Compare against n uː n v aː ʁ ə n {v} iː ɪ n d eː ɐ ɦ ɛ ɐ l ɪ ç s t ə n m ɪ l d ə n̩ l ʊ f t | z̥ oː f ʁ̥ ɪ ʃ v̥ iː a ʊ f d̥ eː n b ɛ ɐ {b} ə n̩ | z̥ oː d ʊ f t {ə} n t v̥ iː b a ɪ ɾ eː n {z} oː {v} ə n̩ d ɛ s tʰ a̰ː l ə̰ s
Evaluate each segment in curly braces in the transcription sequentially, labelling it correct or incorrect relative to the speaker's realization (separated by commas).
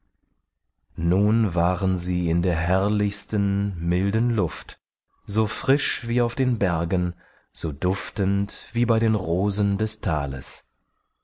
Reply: incorrect, incorrect, correct, incorrect, incorrect